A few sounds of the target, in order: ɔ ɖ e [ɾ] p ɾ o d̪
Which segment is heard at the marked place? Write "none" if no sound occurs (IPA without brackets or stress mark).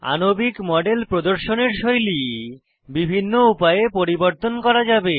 l